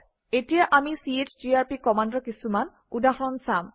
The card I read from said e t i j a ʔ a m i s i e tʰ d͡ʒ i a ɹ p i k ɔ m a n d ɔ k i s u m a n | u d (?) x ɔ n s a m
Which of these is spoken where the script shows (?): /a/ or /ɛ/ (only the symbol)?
a